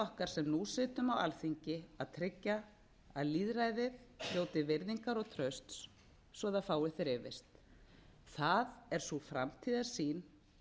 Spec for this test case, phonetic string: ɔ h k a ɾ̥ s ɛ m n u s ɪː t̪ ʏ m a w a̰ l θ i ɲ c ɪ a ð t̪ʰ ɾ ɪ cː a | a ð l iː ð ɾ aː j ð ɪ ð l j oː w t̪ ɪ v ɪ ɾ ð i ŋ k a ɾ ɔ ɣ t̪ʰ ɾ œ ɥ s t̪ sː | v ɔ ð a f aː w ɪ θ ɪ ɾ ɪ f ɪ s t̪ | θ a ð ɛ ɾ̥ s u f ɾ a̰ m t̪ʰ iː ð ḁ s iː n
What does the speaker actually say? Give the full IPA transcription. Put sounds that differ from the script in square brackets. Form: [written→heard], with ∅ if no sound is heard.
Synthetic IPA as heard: ɔ h k a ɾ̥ s ɛ m n u s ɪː t̪ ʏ m a w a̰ l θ i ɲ c ɪ a ð t̪ʰ ɾ ɪ cː a | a ð l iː ð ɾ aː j ð ɪ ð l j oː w t̪ ɪ v ɪ ɾ ð i ŋ k a ɾ ɔ ɣ t̪ʰ ɾ œ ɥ s t̪ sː | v ɔ ð a f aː w ɪ θ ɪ ɾ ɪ [f→v] ɪ s t̪ | θ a ð ɛ ɾ̥ s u f ɾ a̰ m t̪ʰ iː ð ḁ s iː n